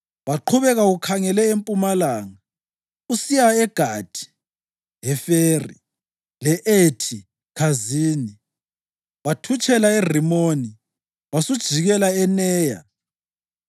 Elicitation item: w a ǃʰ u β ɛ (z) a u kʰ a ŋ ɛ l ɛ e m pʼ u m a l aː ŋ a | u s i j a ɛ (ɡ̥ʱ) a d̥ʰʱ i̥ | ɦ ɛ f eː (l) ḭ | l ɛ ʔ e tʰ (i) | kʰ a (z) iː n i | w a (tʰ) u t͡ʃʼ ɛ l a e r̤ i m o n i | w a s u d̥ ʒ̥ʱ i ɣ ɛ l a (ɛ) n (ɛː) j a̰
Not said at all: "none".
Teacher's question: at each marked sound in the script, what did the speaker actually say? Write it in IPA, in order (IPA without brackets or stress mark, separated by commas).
ɣ, ɡ̥ʱ, r, i, z, tʰ, ɛ, ɛː